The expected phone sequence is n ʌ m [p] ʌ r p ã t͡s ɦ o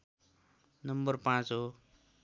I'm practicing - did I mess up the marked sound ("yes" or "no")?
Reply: yes